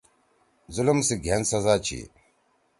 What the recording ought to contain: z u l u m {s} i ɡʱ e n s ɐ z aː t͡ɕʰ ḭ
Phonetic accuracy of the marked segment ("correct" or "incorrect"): correct